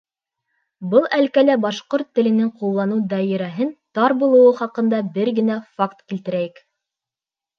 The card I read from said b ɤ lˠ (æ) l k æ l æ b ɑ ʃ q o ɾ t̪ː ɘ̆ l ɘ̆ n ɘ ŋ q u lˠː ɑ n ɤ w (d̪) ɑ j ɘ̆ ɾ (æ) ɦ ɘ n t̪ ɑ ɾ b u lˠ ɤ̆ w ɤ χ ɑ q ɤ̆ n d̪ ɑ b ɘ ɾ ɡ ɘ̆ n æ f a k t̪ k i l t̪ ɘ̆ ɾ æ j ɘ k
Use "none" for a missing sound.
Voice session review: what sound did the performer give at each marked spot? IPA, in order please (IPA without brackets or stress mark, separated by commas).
æ, d̪, æ